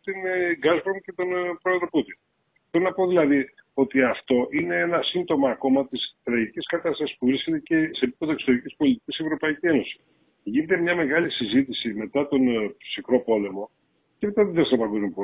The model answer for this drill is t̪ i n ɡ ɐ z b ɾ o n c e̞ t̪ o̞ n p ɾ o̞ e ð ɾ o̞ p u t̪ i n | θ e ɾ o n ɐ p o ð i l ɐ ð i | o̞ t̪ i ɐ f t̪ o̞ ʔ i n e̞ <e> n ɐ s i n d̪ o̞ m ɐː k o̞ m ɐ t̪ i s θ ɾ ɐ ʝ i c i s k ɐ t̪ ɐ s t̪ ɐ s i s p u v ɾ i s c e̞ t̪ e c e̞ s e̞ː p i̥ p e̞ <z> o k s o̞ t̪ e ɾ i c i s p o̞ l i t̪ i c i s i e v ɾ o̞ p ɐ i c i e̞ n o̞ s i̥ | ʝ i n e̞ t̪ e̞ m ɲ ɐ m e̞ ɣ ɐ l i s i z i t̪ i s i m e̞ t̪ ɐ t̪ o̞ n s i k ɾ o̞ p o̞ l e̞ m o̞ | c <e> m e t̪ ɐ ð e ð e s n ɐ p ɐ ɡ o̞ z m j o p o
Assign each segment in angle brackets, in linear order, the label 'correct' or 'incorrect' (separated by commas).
correct, incorrect, correct